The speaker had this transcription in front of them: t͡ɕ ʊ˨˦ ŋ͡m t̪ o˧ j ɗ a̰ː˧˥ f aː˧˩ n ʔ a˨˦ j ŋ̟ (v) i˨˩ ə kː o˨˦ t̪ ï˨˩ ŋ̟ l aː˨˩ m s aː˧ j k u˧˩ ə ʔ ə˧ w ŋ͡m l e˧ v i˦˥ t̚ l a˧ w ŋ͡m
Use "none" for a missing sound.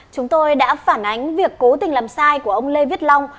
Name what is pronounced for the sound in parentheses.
v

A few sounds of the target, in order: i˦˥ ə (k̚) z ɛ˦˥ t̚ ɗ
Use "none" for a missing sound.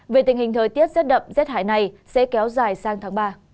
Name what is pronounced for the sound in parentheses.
t̚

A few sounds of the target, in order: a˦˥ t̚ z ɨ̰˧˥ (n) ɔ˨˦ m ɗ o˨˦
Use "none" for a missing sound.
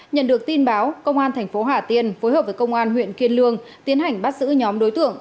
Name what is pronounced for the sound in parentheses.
ɲ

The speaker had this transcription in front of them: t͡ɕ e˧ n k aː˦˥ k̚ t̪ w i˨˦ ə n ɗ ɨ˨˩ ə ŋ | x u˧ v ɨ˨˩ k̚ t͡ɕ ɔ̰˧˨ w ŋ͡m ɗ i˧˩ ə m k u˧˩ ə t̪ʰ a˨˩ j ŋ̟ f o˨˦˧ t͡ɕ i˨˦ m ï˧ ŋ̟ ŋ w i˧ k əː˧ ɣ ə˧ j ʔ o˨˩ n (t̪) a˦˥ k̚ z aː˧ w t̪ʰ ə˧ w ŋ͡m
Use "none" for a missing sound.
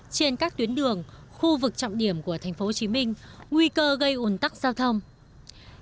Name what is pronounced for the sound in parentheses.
t̪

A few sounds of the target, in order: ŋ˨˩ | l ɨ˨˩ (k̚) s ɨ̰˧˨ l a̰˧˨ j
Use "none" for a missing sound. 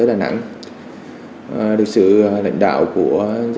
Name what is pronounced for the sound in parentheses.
k̚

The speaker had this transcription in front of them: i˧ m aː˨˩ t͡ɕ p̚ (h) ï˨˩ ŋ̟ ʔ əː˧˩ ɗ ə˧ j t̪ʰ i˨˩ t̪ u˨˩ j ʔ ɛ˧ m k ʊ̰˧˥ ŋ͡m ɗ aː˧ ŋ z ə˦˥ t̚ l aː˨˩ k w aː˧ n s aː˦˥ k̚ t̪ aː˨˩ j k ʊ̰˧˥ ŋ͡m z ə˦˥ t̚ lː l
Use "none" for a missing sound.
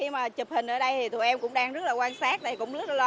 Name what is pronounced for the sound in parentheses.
h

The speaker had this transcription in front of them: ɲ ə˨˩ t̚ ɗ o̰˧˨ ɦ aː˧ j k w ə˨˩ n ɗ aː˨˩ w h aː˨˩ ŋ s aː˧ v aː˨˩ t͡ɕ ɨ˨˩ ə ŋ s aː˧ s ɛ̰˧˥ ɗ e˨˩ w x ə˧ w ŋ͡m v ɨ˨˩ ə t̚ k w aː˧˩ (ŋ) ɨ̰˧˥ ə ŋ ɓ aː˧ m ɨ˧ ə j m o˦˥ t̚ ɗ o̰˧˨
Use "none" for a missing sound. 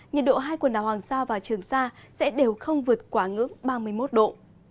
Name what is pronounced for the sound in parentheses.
ŋ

